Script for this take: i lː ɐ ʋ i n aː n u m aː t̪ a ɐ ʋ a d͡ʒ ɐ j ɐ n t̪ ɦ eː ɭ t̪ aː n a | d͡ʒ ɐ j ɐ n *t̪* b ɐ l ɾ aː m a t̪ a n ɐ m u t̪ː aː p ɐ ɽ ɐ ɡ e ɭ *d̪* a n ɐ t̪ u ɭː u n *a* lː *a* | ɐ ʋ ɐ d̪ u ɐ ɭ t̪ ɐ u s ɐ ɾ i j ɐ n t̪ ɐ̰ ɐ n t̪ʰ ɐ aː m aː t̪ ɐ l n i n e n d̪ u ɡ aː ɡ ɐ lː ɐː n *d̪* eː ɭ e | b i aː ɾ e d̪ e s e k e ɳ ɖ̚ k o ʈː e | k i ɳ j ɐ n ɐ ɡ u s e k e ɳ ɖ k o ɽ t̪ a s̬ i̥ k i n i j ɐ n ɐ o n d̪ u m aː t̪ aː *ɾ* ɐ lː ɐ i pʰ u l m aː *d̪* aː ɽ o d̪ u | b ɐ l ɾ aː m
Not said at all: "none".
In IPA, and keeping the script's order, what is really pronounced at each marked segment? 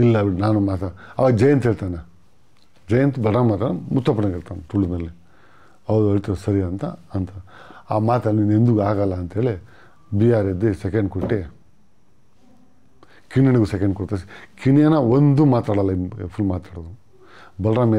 t̪, t̪, ɐ, i, t̪, ɽ, t̪

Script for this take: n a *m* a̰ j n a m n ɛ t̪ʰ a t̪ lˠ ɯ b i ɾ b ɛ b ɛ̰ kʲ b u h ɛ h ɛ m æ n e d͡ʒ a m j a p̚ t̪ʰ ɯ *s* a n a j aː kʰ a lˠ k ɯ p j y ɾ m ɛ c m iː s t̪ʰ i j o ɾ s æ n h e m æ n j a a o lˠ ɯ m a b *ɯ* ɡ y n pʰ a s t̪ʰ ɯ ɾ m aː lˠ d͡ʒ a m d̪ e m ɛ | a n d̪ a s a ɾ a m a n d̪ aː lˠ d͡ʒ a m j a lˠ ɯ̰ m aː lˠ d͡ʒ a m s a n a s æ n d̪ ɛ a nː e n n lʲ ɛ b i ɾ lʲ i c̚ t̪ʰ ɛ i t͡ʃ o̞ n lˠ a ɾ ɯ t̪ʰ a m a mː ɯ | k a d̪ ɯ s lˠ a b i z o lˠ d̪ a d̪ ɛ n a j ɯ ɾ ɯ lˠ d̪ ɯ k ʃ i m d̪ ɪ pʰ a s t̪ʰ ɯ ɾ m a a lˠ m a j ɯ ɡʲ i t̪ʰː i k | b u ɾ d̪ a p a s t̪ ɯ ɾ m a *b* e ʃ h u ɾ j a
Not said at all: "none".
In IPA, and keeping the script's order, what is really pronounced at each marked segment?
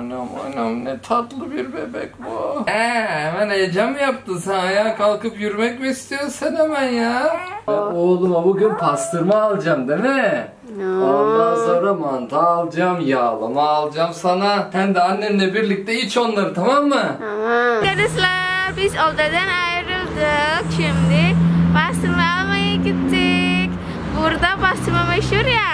m, s, u, m

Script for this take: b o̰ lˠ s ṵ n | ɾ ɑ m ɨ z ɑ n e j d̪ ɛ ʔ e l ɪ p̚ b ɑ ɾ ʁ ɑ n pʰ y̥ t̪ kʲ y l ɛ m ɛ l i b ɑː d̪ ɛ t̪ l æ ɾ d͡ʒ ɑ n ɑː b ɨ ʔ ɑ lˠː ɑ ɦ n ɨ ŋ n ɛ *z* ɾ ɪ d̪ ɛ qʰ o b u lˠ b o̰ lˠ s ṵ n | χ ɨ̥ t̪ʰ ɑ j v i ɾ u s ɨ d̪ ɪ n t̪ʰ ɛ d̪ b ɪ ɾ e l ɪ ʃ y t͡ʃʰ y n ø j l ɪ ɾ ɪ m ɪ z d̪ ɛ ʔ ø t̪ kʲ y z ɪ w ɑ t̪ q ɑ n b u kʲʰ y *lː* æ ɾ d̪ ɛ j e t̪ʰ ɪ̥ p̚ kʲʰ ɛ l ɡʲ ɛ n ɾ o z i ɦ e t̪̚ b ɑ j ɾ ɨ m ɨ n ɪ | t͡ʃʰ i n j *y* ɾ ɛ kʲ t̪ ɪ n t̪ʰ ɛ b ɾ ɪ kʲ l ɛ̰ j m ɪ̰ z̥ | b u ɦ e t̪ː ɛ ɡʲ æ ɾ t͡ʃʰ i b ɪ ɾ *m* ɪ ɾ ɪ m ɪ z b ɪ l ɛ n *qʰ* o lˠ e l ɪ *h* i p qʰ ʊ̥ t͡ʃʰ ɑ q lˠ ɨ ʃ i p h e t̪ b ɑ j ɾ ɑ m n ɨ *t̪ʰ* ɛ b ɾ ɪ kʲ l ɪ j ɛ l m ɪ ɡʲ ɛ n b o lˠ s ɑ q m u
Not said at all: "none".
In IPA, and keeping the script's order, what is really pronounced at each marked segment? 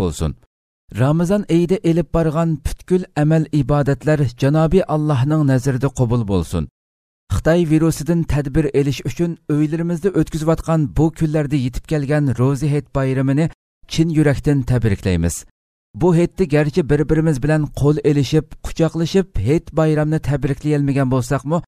z, lː, y, b, qʰ, ʃ, t̪ʰ

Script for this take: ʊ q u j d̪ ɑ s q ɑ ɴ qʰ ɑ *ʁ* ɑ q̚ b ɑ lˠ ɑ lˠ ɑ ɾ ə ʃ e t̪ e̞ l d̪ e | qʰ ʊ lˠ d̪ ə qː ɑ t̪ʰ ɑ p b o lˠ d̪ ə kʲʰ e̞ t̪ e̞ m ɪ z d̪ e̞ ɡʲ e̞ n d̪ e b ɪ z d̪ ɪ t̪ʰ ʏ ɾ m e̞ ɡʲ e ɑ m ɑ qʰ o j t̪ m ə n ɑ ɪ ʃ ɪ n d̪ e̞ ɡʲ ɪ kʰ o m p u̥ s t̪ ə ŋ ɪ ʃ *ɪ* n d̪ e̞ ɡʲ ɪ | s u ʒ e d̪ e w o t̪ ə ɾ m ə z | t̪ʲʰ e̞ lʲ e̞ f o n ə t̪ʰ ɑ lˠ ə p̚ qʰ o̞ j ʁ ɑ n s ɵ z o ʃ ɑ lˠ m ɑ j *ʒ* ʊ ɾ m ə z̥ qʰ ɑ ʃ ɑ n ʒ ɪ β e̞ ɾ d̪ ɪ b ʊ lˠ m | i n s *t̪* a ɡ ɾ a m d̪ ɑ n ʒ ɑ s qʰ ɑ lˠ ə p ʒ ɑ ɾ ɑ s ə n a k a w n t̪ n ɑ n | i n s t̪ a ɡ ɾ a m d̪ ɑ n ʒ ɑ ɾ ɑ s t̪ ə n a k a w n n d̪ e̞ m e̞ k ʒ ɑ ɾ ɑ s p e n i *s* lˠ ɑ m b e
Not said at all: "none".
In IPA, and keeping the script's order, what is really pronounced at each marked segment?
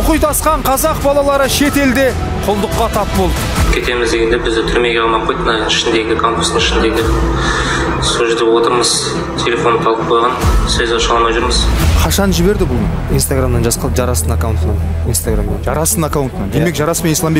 z, ɪ, ʒ, t̪, s

